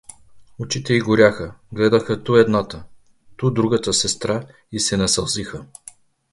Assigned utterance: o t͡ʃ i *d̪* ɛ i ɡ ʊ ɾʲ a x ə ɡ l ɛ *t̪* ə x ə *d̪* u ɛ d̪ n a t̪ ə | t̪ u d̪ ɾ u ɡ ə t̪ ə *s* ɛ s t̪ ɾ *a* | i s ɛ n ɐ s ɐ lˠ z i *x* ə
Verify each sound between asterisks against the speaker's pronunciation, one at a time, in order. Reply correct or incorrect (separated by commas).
incorrect, incorrect, incorrect, correct, correct, correct